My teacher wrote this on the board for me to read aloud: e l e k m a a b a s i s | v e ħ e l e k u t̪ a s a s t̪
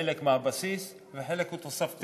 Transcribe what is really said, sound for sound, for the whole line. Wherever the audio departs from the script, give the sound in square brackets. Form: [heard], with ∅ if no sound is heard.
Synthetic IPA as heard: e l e k m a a b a s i s | v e ħ e l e k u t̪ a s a [f] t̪